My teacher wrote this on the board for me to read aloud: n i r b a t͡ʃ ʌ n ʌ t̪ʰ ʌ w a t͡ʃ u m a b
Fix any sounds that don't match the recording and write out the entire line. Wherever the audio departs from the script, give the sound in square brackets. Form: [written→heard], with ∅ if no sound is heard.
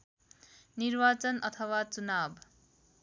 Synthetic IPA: n i [r→ɾ] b a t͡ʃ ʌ n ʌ t̪ʰ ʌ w a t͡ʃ u [m→n] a b